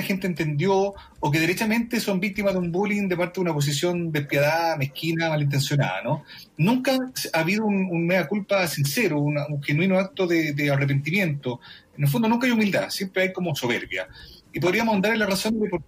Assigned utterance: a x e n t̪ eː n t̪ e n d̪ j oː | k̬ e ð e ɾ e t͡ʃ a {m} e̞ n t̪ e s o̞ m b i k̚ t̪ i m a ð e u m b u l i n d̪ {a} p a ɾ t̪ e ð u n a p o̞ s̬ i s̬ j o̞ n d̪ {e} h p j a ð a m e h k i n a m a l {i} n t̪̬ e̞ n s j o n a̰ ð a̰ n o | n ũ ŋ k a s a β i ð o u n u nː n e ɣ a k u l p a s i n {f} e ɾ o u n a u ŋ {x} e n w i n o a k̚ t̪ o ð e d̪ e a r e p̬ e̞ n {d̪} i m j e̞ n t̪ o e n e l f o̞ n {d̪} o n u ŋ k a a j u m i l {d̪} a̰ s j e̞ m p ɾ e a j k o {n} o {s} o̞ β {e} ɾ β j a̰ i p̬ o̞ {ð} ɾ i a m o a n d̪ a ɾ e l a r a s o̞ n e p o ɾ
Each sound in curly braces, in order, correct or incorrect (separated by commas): correct, incorrect, correct, correct, incorrect, correct, incorrect, correct, correct, incorrect, correct, correct, correct